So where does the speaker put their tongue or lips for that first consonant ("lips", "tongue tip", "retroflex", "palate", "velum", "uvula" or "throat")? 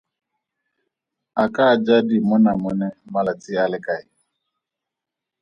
velum